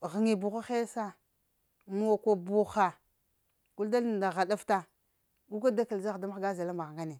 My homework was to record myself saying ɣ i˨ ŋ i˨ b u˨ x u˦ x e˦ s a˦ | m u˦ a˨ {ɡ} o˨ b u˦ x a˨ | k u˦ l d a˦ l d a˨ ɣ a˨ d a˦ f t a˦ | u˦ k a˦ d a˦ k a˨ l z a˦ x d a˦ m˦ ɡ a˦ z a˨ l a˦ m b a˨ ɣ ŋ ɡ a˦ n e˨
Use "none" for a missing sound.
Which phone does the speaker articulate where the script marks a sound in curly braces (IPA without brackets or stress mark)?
k